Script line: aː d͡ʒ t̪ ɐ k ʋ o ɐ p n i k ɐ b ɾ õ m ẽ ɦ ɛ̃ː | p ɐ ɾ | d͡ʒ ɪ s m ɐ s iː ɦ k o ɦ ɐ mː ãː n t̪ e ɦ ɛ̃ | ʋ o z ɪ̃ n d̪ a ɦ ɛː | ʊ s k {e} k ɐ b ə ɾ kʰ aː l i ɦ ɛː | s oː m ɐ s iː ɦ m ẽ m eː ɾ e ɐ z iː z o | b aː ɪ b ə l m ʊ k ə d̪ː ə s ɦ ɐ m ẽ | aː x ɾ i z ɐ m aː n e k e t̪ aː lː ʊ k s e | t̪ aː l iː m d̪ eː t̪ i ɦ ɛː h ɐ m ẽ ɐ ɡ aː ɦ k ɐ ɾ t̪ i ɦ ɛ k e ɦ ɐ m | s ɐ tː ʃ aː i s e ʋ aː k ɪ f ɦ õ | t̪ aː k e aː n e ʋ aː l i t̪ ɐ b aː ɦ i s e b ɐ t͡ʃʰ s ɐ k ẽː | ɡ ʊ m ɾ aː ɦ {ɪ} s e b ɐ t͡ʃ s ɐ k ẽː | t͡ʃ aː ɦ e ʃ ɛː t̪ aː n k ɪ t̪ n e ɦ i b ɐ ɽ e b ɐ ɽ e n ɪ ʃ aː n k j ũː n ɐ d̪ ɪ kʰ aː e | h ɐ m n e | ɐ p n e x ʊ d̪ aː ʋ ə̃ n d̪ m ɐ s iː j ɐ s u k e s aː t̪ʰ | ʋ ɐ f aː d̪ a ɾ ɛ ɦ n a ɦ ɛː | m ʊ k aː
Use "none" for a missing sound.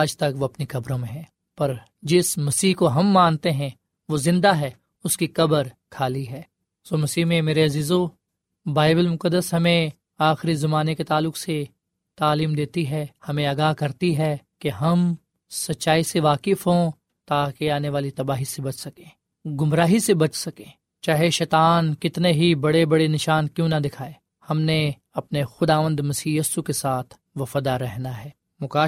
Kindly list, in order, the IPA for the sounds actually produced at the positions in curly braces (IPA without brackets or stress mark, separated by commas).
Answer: i, i